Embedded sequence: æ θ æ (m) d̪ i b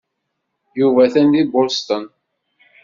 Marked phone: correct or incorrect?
incorrect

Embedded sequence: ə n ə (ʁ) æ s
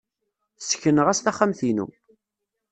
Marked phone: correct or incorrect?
correct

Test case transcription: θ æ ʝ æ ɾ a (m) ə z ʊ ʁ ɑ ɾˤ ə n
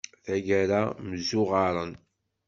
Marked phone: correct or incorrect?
correct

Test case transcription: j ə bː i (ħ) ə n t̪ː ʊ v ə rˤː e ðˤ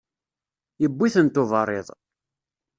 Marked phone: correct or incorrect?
incorrect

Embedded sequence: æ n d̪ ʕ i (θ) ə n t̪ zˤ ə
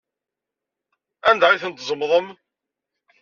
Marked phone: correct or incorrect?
correct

